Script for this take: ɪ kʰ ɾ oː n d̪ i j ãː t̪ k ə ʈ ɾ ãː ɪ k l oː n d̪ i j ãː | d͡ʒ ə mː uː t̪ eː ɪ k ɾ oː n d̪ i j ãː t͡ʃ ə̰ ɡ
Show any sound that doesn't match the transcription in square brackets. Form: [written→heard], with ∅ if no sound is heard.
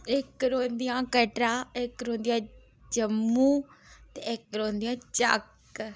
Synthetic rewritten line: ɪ [kʰ→k] ɾ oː n d̪ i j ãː [t̪→∅] k ə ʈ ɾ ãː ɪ k [l→ɾ] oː n d̪ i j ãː | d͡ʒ ə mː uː t̪ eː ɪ k ɾ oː n d̪ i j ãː t͡ʃ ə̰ [ɡ→k]